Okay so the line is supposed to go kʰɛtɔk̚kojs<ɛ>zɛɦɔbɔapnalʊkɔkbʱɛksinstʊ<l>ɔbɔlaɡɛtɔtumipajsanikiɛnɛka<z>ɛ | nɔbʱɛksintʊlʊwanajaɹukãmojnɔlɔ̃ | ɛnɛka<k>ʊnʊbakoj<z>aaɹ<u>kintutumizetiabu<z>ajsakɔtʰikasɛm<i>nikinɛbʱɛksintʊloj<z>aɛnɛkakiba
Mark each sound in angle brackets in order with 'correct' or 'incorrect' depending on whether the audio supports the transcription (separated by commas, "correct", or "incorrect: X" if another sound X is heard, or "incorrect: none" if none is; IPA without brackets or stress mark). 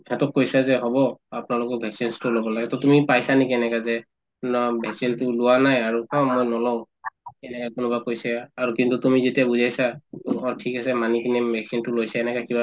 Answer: incorrect: a, correct, correct, correct, incorrect: s, correct, correct, incorrect: a, incorrect: s